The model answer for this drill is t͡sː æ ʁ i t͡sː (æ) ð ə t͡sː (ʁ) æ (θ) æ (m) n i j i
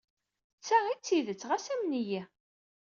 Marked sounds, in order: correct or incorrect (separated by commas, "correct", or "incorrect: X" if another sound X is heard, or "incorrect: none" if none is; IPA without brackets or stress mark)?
incorrect: i, correct, incorrect: s, correct